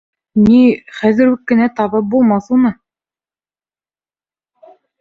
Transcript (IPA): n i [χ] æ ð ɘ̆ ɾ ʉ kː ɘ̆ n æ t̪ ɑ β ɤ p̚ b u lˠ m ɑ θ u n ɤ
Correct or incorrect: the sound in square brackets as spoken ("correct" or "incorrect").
correct